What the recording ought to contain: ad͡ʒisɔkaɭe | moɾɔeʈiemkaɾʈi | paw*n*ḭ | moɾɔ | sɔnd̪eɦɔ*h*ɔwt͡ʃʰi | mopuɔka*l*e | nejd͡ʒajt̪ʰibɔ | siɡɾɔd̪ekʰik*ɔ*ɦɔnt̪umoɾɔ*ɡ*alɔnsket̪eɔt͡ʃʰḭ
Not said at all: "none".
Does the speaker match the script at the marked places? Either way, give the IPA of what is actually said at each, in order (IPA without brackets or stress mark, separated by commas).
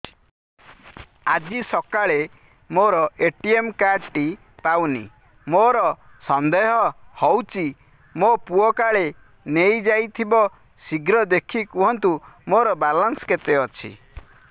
n, h, ɭ, u, b